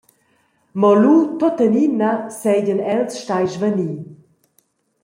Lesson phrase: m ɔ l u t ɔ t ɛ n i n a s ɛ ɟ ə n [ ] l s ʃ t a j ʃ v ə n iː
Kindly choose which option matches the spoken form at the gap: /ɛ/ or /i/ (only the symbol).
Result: ɛ